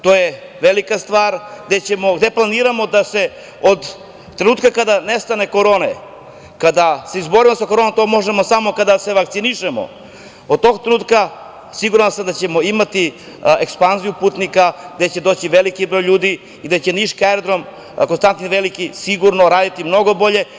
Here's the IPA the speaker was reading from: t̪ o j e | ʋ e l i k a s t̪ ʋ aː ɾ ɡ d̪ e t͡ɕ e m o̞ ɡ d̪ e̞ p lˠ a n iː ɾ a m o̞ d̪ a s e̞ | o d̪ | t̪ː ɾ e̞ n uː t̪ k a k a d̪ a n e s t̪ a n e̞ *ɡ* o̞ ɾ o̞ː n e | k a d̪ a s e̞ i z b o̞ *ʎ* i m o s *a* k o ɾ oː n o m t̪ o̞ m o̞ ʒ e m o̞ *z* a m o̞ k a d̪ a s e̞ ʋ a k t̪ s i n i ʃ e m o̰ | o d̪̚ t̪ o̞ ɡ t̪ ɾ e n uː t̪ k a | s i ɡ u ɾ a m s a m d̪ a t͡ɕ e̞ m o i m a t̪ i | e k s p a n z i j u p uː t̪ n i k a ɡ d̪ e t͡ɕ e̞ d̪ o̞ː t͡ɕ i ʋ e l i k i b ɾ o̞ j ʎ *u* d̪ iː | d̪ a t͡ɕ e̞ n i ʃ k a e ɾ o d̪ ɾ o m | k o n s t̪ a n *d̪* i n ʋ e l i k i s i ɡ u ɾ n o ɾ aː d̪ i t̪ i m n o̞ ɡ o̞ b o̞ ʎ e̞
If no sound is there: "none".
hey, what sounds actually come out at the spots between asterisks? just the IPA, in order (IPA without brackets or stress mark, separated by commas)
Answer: k, ɾ, a, s, uː, t̪